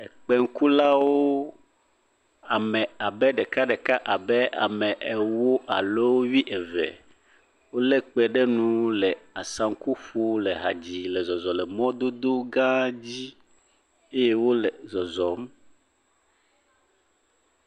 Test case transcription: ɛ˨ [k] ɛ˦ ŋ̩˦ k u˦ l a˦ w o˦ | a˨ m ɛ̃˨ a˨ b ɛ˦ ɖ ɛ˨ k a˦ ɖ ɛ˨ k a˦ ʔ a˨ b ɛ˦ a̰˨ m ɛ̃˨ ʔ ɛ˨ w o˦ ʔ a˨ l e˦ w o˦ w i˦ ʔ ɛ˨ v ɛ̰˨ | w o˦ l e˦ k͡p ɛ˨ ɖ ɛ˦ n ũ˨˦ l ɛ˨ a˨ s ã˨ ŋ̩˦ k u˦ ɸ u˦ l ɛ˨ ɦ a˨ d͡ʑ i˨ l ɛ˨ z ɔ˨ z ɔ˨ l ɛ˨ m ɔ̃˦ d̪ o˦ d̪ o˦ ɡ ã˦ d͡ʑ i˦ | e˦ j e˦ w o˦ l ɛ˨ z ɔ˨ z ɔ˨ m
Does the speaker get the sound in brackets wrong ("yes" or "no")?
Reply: yes